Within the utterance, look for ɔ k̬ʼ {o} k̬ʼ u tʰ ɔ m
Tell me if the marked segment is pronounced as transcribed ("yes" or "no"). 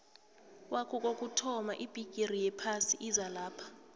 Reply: yes